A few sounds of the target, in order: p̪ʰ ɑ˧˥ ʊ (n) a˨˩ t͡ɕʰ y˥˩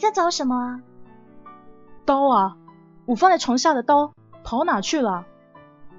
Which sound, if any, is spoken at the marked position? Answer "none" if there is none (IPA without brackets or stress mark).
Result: n